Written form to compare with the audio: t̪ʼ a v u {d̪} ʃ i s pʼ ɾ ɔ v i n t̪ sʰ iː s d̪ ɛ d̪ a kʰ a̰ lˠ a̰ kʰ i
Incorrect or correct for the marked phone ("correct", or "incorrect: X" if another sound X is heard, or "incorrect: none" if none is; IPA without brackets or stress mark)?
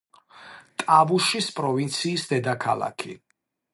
incorrect: none